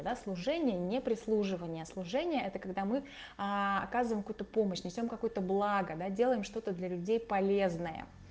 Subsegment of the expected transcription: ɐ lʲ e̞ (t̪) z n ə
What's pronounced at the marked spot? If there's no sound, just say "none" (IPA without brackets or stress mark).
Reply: none